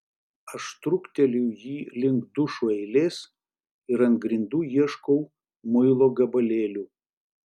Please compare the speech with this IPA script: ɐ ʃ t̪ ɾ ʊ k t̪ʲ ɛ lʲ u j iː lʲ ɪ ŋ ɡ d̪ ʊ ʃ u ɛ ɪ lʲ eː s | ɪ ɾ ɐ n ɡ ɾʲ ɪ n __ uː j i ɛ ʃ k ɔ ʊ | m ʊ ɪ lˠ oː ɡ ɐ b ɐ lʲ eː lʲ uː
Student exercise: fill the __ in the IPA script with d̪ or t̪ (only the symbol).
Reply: d̪